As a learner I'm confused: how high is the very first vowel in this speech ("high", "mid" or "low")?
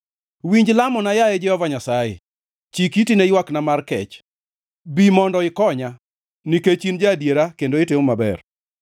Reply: high